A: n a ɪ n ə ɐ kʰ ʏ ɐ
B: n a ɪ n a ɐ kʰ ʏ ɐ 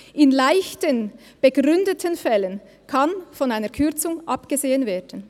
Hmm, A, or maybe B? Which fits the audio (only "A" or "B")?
A